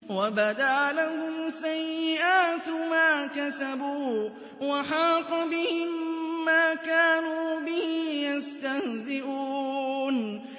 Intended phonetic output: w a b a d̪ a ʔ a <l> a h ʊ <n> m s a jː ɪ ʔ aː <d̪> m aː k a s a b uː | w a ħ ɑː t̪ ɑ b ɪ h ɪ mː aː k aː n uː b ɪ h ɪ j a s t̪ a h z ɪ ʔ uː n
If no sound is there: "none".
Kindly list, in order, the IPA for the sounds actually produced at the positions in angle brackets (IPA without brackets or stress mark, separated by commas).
l, none, t̪